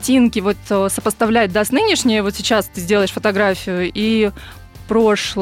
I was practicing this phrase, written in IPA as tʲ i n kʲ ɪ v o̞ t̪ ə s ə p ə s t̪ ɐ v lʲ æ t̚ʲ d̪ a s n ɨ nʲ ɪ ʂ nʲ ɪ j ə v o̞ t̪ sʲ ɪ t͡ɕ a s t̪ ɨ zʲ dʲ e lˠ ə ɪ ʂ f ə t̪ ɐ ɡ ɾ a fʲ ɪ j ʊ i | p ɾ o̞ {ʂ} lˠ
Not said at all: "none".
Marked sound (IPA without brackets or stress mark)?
ʂ